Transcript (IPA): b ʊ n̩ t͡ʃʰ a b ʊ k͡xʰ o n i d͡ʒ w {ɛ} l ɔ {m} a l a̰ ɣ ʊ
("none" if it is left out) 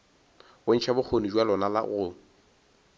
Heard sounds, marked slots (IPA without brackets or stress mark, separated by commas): a, n